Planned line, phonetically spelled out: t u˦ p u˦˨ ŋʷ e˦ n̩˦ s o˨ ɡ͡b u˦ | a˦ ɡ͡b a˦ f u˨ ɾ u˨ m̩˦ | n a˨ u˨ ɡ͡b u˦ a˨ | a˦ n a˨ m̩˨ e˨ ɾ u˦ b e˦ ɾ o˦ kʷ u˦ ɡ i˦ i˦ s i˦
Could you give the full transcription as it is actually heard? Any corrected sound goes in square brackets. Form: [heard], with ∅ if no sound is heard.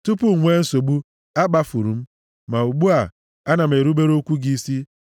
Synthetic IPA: t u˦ p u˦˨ ŋʷ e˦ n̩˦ s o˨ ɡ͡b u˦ | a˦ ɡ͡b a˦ f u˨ ɾ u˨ m̩˦ | [m] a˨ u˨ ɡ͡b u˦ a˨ | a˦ n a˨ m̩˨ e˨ ɾ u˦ b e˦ ɾ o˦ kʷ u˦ ɡ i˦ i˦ s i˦

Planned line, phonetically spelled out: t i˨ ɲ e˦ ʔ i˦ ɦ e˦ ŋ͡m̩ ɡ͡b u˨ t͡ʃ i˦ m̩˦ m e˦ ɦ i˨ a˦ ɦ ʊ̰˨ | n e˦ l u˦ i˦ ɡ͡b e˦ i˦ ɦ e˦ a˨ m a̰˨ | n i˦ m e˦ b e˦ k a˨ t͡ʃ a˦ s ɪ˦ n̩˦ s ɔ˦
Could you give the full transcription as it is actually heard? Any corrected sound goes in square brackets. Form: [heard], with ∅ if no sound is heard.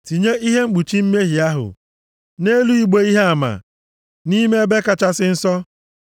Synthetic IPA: t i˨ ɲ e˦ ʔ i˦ ɦ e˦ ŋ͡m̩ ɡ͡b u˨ t͡ʃ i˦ m̩˦ m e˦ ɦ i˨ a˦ ɦ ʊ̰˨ | n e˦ l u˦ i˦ ɡ͡b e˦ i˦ ɦ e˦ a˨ m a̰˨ | n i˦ m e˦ b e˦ k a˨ t͡ʃ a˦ s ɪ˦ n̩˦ s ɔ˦

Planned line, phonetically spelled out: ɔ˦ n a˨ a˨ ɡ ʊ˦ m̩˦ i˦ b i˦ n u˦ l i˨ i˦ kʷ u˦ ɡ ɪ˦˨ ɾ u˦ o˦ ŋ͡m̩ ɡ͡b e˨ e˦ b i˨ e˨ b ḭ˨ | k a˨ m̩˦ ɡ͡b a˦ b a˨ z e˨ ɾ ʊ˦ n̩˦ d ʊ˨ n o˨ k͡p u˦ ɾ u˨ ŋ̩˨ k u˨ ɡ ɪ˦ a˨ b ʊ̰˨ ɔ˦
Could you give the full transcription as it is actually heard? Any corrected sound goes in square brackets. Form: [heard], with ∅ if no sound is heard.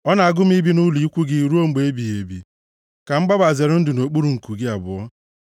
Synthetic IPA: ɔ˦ n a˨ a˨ ɡ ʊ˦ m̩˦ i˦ b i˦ n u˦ l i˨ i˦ kʷ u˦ ɡ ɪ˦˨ ɾ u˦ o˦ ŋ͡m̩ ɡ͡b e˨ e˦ b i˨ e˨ b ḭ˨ | k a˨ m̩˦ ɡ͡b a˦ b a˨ z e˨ ɾ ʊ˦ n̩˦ d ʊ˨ n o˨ k͡p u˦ ɾ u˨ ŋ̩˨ k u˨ ɡ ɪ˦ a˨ b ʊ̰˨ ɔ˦

